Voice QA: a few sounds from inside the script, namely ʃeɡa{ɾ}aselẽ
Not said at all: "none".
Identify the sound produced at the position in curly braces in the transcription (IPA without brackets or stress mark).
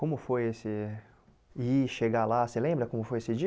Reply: l